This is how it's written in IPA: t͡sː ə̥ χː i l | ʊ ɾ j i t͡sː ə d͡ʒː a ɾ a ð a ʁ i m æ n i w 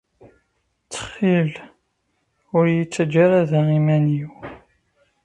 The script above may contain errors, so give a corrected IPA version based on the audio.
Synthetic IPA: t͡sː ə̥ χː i l | ʊ ɾ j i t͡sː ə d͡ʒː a ɾ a ð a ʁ i m æ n i w